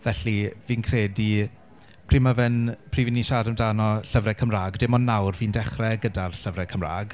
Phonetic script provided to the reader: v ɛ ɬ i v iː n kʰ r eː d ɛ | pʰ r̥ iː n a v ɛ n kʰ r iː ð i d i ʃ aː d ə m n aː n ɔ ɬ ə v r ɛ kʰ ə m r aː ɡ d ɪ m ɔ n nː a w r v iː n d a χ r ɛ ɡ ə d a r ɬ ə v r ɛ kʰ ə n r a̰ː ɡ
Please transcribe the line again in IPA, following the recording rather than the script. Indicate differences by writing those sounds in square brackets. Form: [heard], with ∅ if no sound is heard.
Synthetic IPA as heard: v ɛ ɬ i v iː n kʰ r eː d [i] | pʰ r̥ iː [m] a v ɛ n [pʰ] r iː [v] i [n] i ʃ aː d ə m [d] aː n ɔ ɬ ə v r ɛ kʰ ə m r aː ɡ d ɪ m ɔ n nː a w r v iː n d [ɛ] χ r ɛ ɡ ə d a r ɬ ə v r ɛ kʰ ə [m] r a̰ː ɡ